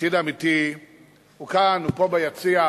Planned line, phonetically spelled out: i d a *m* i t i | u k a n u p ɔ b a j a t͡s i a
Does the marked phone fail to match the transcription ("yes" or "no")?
no